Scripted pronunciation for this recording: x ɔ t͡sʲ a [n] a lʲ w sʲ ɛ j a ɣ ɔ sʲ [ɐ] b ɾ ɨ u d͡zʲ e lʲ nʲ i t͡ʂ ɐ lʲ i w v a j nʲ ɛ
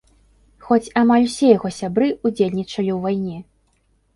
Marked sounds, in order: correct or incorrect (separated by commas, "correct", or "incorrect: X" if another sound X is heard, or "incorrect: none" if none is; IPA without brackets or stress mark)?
incorrect: m, incorrect: a